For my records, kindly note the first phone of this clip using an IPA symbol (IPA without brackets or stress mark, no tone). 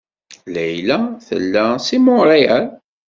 l